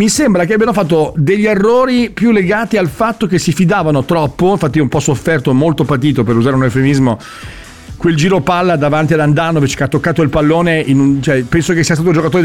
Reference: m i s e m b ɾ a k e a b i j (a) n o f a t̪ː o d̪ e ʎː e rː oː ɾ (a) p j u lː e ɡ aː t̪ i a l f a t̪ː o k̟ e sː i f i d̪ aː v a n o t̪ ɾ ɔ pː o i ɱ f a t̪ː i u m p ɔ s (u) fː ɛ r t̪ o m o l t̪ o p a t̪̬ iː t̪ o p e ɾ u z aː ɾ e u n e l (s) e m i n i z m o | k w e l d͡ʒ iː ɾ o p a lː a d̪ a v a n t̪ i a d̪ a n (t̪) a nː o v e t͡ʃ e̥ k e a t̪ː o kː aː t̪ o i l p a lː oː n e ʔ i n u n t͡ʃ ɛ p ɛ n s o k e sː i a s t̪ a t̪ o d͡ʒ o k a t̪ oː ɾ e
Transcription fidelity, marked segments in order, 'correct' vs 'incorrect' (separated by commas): correct, incorrect, incorrect, incorrect, incorrect